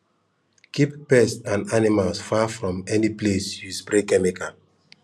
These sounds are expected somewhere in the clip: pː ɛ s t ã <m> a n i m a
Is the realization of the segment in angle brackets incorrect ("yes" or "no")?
yes